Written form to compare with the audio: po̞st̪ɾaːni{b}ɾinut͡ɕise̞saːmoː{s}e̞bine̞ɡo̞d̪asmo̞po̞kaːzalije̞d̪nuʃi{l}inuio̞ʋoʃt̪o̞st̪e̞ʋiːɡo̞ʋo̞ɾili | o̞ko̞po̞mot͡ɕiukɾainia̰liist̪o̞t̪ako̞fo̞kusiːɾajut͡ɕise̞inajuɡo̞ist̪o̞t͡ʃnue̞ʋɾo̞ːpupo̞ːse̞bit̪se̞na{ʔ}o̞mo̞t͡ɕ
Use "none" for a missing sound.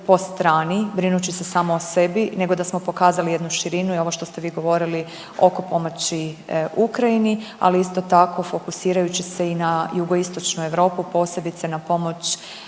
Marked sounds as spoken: b, s, ɾ, p

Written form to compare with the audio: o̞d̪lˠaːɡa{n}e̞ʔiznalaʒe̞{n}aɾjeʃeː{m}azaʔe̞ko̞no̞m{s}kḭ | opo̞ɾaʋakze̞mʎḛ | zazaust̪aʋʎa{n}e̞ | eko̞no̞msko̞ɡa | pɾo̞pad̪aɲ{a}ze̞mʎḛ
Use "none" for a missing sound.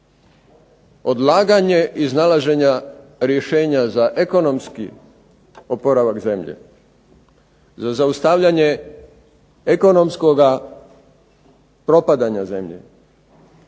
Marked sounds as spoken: ɲ, ɲ, ɲ, s, ɲ, a

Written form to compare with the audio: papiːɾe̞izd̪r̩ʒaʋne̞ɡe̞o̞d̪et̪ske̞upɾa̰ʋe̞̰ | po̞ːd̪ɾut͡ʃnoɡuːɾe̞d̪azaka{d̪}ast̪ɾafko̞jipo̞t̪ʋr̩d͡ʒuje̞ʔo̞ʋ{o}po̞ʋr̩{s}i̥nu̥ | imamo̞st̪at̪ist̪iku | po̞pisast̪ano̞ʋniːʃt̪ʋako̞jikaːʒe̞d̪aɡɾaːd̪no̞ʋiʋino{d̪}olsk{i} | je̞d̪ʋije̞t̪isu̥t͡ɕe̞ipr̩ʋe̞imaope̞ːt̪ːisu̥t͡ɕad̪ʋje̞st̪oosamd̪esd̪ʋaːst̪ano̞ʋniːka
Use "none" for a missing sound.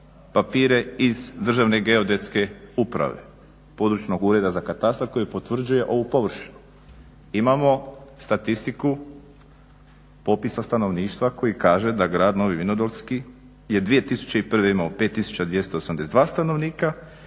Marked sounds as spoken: t̪, u, ʃ, d̪, i

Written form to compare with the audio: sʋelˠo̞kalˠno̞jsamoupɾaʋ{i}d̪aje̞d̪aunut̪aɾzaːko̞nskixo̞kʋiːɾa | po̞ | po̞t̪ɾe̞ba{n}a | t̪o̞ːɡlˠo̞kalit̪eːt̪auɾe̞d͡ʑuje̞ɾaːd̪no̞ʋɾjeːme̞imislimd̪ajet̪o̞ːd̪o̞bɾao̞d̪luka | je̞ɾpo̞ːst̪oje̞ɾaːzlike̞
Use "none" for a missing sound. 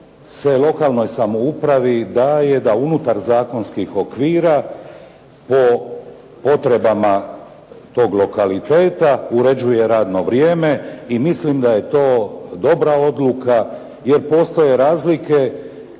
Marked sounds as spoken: i, m

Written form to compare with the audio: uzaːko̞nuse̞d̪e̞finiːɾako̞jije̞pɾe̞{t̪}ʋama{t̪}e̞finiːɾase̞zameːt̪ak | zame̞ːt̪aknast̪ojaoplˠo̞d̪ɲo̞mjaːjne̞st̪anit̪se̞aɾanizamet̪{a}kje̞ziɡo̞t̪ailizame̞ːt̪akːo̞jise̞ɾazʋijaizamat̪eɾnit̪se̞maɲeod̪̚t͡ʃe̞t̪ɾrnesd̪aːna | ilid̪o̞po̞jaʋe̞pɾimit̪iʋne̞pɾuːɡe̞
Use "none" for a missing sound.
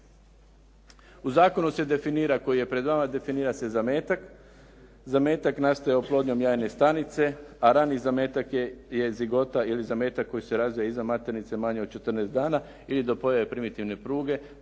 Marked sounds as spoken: d̪, d̪, a

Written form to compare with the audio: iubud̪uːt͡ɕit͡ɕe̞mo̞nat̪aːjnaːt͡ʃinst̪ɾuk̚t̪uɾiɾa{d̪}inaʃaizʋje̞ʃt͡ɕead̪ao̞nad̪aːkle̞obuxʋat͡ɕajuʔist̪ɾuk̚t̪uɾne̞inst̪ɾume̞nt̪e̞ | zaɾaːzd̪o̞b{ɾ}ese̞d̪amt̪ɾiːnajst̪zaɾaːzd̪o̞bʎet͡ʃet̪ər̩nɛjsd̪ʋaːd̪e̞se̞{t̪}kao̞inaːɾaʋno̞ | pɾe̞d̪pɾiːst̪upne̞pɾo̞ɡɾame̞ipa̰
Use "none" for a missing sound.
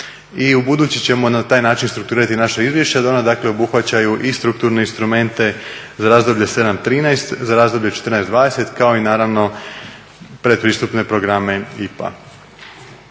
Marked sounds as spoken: t̪, ʎ, t̪

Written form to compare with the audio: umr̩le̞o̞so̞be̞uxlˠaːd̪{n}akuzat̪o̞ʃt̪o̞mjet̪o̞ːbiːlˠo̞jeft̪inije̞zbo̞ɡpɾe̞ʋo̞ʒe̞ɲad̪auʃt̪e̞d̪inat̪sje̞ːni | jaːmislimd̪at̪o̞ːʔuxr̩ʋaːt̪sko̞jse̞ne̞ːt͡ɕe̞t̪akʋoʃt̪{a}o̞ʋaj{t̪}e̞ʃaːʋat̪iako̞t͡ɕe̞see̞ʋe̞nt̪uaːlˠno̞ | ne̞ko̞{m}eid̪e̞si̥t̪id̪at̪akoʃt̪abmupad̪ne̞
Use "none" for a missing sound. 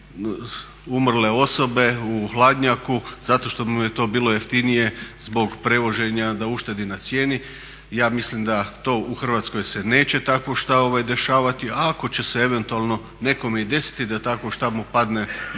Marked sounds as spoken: ɲ, a, d̪, m

